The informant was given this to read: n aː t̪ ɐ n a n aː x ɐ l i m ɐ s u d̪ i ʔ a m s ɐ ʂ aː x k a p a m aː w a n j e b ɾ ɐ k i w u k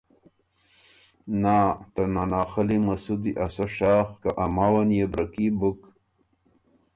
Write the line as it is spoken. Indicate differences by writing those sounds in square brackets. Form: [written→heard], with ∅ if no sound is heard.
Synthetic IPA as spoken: n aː t̪ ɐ n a n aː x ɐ l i m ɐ s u d̪ i ʔ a [m→∅] s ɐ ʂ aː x k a [p→ʔ] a m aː w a n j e b ɾ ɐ k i [w→b] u k